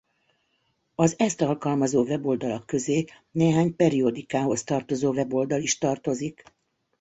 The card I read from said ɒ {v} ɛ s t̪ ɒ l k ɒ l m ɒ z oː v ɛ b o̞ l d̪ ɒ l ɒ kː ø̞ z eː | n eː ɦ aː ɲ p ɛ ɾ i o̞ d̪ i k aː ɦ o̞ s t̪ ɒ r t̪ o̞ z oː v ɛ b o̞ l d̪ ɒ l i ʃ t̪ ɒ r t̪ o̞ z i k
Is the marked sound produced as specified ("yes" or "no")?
no